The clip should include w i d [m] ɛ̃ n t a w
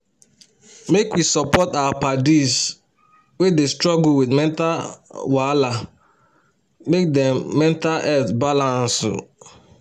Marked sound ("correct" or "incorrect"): correct